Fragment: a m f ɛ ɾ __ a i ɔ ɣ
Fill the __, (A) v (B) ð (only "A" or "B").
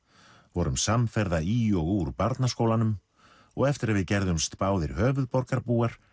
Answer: B